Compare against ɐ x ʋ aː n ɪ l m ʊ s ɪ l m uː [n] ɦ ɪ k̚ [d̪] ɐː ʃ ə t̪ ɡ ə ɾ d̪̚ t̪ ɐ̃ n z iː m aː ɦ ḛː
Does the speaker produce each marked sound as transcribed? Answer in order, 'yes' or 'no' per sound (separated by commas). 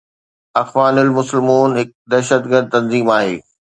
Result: yes, yes